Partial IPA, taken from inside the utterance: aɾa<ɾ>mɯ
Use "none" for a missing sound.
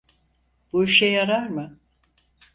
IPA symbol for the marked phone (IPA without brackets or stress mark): ɾ